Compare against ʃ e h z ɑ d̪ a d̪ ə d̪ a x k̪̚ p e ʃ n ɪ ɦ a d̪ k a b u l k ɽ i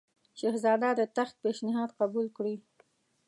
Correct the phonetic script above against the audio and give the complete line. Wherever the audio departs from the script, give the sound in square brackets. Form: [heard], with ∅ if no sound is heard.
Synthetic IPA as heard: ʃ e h z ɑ d̪ a d̪ ə [t̪] a x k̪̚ p e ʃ n ɪ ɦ [ɑ] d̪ [q] a b u l k ɽ i